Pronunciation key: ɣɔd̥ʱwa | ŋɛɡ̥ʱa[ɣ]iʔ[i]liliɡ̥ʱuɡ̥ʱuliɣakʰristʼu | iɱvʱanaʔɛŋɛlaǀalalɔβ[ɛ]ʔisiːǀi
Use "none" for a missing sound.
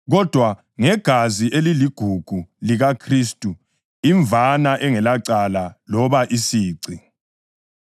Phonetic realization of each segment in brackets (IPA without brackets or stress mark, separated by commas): z, e, a